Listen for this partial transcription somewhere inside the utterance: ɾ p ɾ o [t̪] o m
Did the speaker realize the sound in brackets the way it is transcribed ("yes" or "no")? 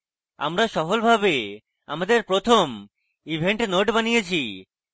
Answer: no